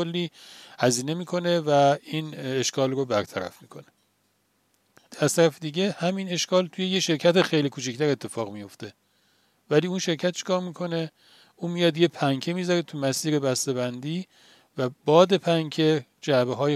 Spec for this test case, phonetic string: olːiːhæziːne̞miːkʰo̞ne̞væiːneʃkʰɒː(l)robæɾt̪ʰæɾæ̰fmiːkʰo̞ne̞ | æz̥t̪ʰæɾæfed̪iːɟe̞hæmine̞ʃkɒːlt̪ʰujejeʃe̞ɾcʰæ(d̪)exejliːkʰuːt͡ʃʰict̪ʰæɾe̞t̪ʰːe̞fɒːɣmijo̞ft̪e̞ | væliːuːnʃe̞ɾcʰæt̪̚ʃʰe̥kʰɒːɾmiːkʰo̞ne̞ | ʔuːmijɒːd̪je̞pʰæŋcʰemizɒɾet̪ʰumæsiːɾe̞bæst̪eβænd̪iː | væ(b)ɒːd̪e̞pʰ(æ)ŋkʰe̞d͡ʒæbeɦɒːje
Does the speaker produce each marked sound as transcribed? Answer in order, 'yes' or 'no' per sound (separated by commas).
yes, no, yes, yes